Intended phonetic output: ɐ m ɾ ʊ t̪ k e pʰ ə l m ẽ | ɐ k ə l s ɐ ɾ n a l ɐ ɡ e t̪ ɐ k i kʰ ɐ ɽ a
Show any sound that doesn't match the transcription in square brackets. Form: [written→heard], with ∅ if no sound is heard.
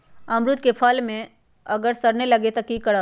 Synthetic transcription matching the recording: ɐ m ɾ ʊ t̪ k e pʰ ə l m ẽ | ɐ [k→ɡ] ə [l→ɾ] s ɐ ɾ n [a→e] l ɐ ɡ e t̪ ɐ k i [kʰ→k] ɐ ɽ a